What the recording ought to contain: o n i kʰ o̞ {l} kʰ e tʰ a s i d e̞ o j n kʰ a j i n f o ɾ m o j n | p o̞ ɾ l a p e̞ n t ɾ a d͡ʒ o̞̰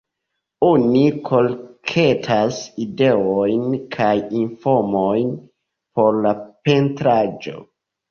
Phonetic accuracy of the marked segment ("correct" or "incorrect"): correct